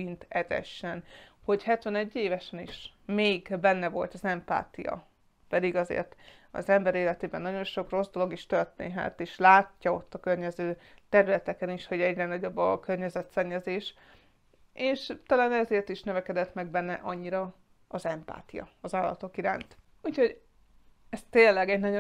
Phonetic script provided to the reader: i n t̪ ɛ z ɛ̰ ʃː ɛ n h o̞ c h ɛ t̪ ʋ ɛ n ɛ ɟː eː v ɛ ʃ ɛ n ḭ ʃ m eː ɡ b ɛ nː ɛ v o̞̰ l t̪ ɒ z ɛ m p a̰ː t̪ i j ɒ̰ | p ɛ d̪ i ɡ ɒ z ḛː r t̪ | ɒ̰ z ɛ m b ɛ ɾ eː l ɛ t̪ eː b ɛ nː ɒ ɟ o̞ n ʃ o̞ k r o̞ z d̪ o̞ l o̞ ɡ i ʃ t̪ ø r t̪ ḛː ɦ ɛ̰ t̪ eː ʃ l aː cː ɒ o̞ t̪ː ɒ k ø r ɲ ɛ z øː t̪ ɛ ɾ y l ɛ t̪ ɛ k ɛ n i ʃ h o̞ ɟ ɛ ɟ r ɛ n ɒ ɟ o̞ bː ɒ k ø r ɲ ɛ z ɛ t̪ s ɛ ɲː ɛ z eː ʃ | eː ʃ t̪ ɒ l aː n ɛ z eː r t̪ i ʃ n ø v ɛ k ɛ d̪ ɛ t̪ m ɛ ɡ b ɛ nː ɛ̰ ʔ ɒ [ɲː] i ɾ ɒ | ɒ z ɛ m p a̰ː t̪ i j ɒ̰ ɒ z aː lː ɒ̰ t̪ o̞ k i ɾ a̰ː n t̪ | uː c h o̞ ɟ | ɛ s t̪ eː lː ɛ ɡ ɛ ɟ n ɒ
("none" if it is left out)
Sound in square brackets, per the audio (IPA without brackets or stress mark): ɲː